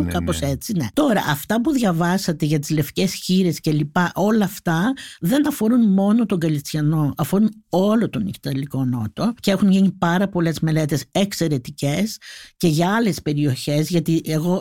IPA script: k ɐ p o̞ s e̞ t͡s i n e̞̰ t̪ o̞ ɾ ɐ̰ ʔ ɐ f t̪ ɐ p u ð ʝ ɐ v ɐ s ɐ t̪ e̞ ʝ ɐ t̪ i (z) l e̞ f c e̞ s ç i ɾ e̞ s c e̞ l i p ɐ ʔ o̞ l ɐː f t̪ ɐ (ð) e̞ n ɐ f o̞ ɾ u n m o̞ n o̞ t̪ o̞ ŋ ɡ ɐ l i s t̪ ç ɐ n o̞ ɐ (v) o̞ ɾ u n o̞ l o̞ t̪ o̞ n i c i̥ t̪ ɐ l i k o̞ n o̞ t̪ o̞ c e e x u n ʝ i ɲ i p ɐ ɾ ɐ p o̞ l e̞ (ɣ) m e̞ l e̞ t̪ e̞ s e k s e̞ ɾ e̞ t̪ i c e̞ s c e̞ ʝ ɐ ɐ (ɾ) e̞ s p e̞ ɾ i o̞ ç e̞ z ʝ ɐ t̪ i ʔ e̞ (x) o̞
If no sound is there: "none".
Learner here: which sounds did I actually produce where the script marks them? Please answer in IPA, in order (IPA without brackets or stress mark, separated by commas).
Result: z, ð, f, z, l, ɣ